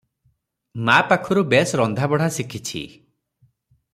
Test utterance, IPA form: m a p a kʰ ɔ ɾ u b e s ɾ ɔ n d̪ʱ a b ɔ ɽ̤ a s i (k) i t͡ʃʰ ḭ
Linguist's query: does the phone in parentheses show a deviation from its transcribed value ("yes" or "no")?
yes